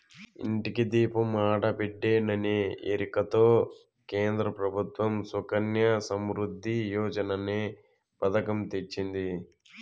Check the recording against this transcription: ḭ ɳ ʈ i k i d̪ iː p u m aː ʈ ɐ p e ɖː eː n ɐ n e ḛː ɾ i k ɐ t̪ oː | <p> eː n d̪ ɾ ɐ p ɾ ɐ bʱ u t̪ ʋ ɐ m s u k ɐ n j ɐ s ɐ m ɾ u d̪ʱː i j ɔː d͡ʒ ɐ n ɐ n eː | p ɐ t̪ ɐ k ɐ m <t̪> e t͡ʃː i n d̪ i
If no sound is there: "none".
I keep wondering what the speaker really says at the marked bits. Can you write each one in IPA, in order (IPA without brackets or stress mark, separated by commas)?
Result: k, t̪